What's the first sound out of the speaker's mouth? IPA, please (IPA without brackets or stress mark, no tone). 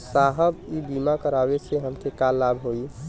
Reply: s